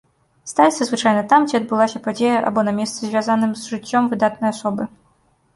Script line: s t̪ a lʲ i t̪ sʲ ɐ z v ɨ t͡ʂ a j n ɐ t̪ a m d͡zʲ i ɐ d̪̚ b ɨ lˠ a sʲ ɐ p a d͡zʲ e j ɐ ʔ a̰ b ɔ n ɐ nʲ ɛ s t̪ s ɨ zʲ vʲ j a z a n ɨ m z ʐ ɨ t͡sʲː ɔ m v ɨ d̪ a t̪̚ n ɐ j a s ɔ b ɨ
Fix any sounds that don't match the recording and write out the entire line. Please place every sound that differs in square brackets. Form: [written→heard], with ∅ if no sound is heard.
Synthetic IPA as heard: s t̪ a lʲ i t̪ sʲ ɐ z v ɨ t͡ʂ a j n ɐ t̪ a m d͡zʲ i ɐ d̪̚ b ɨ lˠ a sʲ ɐ p a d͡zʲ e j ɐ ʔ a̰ b ɔ n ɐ [nʲ→mʲ] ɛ s t̪ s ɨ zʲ vʲ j a z a n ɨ m z ʐ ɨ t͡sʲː ɔ m v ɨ d̪ a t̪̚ n ɐ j a s ɔ b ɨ